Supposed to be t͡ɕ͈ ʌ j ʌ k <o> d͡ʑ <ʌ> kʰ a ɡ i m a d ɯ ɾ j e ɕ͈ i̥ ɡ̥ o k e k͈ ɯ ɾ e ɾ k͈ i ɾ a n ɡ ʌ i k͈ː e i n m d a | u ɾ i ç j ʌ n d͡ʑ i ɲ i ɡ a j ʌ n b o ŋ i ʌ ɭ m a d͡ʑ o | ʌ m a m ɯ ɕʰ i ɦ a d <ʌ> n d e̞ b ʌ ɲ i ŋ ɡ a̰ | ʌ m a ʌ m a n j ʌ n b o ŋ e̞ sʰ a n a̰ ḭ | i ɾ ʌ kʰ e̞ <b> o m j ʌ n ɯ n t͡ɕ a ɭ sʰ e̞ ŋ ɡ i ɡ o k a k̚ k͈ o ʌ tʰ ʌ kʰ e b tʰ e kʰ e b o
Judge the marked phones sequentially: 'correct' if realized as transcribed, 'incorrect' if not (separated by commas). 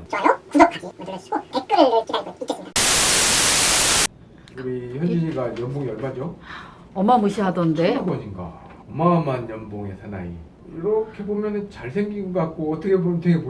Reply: incorrect, correct, correct, correct